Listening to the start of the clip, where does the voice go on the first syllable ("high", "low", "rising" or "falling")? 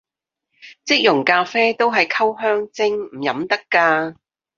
high